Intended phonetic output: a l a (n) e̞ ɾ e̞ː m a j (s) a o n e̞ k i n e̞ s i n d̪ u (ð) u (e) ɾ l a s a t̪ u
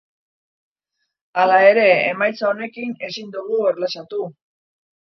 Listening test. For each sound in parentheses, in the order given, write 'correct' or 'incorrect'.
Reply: incorrect, incorrect, incorrect, correct

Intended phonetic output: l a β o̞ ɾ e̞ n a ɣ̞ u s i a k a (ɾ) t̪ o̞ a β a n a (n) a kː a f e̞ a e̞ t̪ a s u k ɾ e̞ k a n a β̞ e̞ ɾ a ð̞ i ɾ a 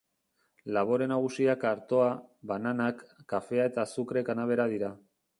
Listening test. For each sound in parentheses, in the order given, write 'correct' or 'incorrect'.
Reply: correct, correct

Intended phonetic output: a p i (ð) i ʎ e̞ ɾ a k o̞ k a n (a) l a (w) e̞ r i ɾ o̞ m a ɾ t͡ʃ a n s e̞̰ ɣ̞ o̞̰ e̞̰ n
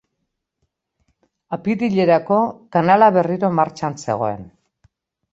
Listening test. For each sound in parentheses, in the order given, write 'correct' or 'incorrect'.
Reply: correct, correct, incorrect

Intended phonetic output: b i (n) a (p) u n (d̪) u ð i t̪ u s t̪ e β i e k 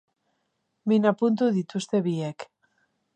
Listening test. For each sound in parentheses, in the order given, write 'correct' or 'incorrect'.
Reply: correct, correct, incorrect

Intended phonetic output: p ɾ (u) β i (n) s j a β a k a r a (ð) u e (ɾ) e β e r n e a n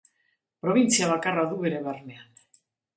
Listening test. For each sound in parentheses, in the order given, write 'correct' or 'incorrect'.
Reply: incorrect, correct, correct, correct

